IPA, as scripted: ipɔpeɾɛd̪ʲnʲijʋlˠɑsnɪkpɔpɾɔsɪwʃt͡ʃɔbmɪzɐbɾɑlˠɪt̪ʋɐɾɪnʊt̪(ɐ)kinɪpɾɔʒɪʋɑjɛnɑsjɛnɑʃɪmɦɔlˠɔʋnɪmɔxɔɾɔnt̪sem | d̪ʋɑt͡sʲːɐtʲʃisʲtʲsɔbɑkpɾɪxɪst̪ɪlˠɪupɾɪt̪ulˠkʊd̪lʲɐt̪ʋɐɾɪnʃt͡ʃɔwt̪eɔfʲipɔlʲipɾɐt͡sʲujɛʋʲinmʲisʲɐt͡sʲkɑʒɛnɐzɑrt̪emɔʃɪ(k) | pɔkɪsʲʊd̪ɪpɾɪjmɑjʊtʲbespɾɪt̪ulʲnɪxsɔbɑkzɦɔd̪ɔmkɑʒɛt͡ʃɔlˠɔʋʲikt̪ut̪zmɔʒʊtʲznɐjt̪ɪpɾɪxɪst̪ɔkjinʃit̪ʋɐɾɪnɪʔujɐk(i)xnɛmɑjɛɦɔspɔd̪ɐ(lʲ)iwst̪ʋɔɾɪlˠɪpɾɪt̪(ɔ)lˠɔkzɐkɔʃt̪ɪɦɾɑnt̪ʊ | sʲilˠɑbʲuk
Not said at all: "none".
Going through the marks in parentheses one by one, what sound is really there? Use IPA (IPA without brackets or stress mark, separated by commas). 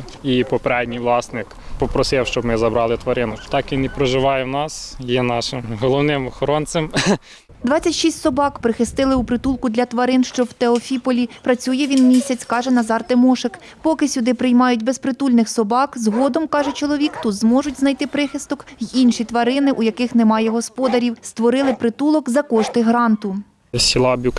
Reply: ɑ, k, ɪ, ɾʲ, u